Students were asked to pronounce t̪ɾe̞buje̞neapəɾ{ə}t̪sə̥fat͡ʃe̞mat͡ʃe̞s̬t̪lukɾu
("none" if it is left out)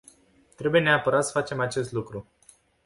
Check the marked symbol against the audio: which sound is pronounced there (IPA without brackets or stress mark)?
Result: a